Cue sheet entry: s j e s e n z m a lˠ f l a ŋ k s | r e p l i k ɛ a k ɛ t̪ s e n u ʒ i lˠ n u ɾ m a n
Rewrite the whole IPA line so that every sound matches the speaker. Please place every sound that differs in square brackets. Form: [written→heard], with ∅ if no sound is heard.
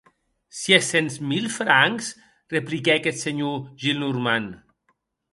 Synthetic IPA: s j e s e n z m [a→i] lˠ f [l→ɾ] a ŋ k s | r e p l i k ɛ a k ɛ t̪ s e [n→ɲ] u ʒ i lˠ n u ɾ m a n